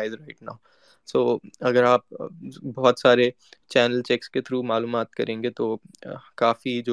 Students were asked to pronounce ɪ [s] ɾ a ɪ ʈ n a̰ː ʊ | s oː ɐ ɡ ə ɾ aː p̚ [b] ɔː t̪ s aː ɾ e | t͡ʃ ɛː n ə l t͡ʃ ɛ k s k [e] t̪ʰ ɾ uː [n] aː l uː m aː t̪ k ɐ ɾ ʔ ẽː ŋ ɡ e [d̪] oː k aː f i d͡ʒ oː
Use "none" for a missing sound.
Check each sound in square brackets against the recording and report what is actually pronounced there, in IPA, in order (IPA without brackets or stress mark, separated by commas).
z, b, e, m, t̪